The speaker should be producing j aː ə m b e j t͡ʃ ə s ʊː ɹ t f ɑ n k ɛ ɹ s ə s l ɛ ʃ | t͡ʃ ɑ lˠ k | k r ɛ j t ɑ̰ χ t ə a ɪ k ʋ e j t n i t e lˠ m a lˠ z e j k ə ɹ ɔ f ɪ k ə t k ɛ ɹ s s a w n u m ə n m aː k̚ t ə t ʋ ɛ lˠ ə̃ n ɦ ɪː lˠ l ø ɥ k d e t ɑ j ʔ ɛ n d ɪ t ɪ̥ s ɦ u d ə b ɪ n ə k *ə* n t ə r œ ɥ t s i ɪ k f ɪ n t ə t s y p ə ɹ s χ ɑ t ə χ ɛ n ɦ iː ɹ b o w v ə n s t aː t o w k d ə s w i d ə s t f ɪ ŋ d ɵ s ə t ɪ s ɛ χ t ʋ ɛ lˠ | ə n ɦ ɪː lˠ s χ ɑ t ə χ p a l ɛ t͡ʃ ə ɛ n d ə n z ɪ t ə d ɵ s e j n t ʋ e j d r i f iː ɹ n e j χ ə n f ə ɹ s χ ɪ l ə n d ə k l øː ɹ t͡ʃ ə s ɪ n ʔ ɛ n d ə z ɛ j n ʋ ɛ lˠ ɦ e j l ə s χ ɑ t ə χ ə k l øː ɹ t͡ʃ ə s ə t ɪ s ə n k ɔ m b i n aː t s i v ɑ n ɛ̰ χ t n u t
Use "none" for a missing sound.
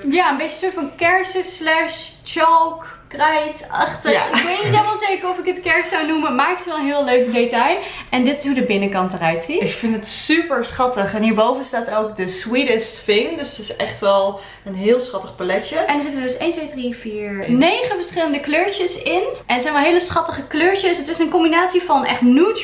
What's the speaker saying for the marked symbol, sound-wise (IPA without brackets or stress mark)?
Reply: ɑ